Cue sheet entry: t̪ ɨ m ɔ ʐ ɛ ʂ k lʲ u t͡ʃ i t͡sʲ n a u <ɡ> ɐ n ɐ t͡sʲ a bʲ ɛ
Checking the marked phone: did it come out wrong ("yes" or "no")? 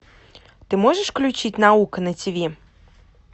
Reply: yes